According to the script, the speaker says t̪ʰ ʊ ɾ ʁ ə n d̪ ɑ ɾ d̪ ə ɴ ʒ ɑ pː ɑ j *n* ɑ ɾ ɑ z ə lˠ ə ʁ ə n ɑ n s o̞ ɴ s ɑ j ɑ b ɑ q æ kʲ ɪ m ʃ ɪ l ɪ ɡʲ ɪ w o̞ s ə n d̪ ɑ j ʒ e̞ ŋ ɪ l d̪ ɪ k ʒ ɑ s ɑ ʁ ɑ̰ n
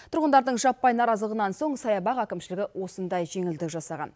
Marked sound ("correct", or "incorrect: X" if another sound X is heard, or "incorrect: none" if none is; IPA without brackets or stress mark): correct